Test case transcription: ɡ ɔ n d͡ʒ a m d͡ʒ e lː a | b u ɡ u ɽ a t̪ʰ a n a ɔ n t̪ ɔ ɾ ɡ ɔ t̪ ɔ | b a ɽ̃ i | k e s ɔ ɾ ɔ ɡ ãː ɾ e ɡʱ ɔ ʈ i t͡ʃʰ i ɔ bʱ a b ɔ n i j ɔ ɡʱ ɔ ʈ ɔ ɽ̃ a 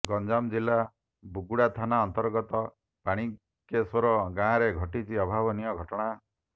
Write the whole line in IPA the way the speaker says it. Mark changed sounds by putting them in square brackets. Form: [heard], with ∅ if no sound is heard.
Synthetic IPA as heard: ɡ ɔ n d͡ʒ a m d͡ʒ [i] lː a | b u ɡ u ɽ a t̪ʰ a n a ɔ n t̪ ɔ ɾ ɡ ɔ t̪ ɔ | [p] a ɽ̃ i | k e s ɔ ɾ ɔ ɡ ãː ɾ e ɡʱ ɔ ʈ i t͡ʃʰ i ɔ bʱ a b ɔ n i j ɔ ɡʱ ɔ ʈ ɔ ɽ̃ a